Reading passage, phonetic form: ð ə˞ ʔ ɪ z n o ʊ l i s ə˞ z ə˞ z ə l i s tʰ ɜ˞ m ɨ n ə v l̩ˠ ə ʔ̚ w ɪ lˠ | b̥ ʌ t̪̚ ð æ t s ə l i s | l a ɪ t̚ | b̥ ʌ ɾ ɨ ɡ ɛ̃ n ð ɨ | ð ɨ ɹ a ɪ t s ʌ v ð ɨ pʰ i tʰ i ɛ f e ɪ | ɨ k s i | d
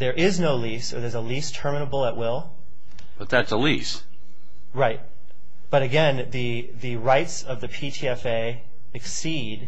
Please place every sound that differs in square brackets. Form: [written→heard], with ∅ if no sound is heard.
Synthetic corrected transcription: ð ə˞ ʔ ɪ z n o ʊ l i s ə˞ [z→ð] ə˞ z ə l i s tʰ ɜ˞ m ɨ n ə [v→b] l̩ˠ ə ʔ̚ w ɪ lˠ | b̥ ʌ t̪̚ ð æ t s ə l i s | [l→ɹ] a ɪ t̚ | b̥ ʌ ɾ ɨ ɡ ɛ̃ n ð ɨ | ð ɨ ɹ a ɪ t s ʌ v ð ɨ pʰ i tʰ i ɛ f e ɪ | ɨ k s i | d

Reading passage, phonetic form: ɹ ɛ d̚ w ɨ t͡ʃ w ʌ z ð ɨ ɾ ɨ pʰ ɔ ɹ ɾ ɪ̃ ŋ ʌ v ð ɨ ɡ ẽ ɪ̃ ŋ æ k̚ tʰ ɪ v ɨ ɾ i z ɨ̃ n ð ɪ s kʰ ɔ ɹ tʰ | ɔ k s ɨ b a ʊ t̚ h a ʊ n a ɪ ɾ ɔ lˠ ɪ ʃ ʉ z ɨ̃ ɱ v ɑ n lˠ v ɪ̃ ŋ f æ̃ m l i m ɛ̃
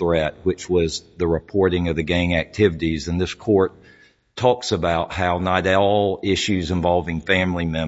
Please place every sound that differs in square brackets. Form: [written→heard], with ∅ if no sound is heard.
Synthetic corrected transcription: ɹ ɛ [d̚→t̚] w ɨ t͡ʃ w ʌ z ð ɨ [ɾ→ɹ] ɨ pʰ ɔ ɹ ɾ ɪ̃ ŋ ʌ v ð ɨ ɡ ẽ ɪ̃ ŋ æ k̚ tʰ ɪ v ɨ ɾ i z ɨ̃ n ð ɪ s kʰ ɔ ɹ tʰ | ɔ k s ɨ b a ʊ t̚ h a ʊ n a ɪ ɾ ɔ lˠ ɪ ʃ ʉ z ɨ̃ ɱ v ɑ [n→∅] lˠ v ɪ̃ ŋ f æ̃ m l i m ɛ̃

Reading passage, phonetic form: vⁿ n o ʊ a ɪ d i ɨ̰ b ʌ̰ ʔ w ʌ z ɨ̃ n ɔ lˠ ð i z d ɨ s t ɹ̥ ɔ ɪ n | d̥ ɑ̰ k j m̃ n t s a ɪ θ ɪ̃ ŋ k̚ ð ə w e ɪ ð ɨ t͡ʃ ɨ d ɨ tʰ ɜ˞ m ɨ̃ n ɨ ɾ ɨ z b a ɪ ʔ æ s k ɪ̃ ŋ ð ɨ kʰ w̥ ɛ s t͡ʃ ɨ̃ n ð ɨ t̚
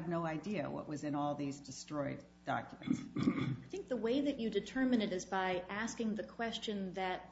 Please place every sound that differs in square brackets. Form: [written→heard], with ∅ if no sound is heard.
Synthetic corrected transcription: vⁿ n o ʊ a ɪ d i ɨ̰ [b→w] ʌ̰ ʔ w ʌ z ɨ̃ n ɔ lˠ ð i z d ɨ s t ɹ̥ ɔ ɪ [n→d] | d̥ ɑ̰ k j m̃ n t s a ɪ θ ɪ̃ ŋ k̚ ð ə w e ɪ ð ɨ t͡ʃ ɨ d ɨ tʰ ɜ˞ m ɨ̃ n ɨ ɾ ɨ z b a ɪ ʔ æ s k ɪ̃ ŋ ð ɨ kʰ w̥ ɛ s t͡ʃ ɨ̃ n ð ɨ t̚

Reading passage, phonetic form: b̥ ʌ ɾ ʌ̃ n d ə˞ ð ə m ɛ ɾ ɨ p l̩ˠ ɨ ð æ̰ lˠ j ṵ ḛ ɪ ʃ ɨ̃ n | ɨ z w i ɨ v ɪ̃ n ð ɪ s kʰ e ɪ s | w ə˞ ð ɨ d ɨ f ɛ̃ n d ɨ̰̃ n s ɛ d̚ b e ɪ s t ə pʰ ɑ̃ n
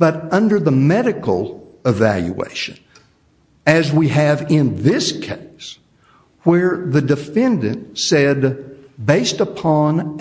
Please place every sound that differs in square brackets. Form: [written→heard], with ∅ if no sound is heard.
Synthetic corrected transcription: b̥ ʌ ɾ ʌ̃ n d ə˞ ð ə m ɛ ɾ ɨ [p→k] l̩ˠ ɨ [ð→v] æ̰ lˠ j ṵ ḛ ɪ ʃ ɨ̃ n | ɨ z w i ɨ v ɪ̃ n ð ɪ s kʰ e ɪ s | w ə˞ ð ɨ d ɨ f ɛ̃ n d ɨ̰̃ n s ɛ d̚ b e ɪ s t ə pʰ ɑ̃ n

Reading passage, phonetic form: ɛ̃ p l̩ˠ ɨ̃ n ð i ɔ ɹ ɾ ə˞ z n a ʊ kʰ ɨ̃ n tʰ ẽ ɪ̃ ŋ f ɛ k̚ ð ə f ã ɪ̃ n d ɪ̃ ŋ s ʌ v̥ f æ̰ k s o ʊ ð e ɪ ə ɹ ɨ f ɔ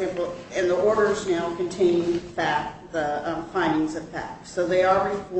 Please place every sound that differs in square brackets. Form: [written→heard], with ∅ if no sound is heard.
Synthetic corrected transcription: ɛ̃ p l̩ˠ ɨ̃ n ð i ɔ ɹ ɾ ə˞ z n a ʊ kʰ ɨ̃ n tʰ ẽ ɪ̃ [ŋ→n] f [ɛ→æ] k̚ ð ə f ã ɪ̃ n d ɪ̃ ŋ [s→z] ʌ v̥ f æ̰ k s o ʊ ð e ɪ ə ɹ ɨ f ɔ

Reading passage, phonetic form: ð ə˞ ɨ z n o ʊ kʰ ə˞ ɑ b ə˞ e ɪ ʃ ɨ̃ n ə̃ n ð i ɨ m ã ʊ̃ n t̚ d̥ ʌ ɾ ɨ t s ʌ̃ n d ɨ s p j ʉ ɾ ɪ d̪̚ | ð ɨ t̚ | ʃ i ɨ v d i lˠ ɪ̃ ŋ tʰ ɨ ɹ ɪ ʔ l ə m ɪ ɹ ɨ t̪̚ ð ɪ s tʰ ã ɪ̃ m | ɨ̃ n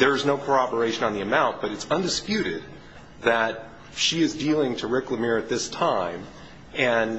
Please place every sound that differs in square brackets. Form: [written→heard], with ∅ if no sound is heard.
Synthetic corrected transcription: ð ə˞ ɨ z n o ʊ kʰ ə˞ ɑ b ə˞ e ɪ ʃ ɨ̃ n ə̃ n ð i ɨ m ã ʊ̃ n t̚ [d̥→b̥] ʌ ɾ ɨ t s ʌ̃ n d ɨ s p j ʉ ɾ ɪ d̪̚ | ð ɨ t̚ | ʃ i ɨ [v→z] d i lˠ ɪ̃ ŋ tʰ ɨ ɹ ɪ [ʔ→k] l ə m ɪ ɹ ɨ t̪̚ ð ɪ s tʰ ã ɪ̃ m | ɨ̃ n

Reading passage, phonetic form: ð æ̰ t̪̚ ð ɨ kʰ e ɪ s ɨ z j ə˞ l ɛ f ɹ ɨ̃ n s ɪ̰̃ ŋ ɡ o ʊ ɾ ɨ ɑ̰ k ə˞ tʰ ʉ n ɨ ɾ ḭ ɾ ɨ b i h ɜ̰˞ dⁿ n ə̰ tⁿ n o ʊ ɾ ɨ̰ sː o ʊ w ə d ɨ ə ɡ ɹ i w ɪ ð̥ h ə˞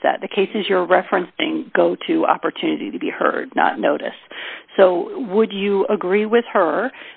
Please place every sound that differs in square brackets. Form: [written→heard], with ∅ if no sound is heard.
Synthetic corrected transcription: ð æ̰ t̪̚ ð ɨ kʰ e ɪ s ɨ z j ə˞ [l→ɹ] ɛ f ɹ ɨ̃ n s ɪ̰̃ ŋ ɡ o ʊ ɾ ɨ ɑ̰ [k→p] ə˞ tʰ ʉ n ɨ ɾ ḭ ɾ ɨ b i h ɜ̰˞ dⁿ n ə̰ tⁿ n o ʊ ɾ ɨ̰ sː o ʊ w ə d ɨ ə ɡ ɹ i w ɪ ð̥ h ə˞

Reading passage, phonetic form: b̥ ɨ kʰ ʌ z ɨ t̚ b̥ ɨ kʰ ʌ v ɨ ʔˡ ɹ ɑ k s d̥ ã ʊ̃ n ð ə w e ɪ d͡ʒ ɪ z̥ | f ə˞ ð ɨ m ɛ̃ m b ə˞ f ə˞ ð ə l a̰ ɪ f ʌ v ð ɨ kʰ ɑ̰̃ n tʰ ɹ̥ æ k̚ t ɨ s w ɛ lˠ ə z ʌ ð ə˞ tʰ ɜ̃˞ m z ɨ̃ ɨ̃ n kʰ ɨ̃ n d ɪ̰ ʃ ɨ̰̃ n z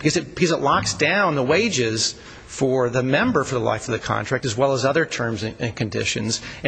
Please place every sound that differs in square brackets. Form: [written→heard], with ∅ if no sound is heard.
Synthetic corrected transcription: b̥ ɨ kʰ ʌ z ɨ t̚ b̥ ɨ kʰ ʌ [v→z] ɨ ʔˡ [ɹ→l] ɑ k s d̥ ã ʊ̃ n ð ə w e ɪ d͡ʒ ɪ z̥ | f ə˞ ð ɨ m ɛ̃ m b ə˞ f ə˞ ð ə l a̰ ɪ f ʌ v ð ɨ kʰ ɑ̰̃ n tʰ ɹ̥ æ k̚ t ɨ [s→z] w ɛ lˠ ə z ʌ ð ə˞ tʰ ɜ̃˞ m z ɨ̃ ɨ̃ n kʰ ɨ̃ n d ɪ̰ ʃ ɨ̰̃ n z

